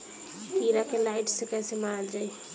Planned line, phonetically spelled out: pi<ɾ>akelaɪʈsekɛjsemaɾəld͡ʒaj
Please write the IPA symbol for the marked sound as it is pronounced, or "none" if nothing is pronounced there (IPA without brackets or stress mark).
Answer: ɾ